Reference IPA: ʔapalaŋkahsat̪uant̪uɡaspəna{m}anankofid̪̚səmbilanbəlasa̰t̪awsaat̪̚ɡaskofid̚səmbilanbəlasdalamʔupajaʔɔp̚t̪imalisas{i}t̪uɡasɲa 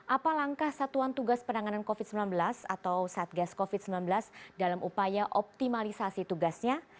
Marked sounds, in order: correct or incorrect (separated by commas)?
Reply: incorrect, correct